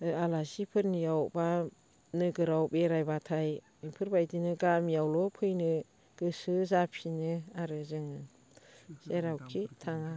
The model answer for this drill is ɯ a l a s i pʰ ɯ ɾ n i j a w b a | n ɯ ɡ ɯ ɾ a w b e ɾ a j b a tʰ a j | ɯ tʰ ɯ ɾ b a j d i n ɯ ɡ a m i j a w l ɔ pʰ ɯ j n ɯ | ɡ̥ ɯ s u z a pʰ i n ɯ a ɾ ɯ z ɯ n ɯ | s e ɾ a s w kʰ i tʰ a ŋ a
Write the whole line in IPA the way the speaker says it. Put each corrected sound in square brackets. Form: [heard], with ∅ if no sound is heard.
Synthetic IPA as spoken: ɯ a l a s i pʰ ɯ ɾ n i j a w b a | n ɯ ɡ ɯ ɾ a w b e ɾ a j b a tʰ a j | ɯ [pʰ] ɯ ɾ b a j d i n ɯ ɡ a m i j a w l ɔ pʰ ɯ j n ɯ | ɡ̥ ɯ s [ɯ] z a pʰ i n ɯ a ɾ ɯ z ɯ [ŋ] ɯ | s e ɾ a [∅] w kʰ i tʰ a ŋ a